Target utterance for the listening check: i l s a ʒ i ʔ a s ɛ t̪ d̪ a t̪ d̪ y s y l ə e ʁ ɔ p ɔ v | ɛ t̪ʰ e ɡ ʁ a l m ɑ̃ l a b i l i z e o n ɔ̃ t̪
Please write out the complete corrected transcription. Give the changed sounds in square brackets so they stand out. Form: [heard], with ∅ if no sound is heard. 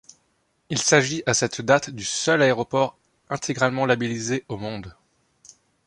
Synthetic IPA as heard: i l s a ʒ i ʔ a s ɛ t̪ d̪ a t̪ d̪ y s [œ] l [a] e ʁ ɔ p ɔ [ʁ] | [ɛ̃] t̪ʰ e ɡ ʁ a l m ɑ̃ l a b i l i z e o [m] ɔ̃ [d̪]